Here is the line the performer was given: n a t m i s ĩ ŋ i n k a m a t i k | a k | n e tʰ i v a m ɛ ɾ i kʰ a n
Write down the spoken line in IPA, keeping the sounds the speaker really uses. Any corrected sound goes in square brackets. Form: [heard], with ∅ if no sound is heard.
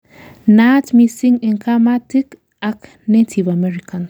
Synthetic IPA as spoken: n a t m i s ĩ ŋ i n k a m a t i k | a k | n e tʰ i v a m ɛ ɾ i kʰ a n